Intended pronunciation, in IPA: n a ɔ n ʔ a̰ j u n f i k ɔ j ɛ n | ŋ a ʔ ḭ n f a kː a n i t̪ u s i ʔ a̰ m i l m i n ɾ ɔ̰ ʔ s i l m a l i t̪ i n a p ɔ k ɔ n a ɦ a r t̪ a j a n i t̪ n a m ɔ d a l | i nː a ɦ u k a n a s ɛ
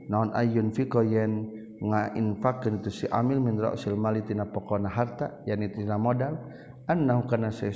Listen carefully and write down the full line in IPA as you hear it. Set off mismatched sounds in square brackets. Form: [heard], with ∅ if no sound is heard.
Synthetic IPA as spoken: n a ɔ n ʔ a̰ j u n f i k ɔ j ɛ n | ŋ a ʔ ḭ n f a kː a n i t̪ u s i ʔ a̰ m i l m i n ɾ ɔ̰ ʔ s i l m a l i t̪ i n a p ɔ k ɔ n a ɦ a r t̪ a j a n i t̪ n a m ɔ d a l | [a] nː a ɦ u k a n a s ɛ